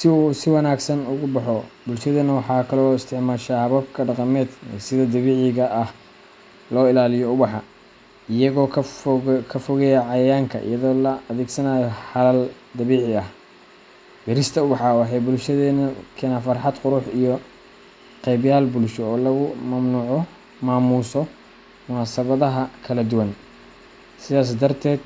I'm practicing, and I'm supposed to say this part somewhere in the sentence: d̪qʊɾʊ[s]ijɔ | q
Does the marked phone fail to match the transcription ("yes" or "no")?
yes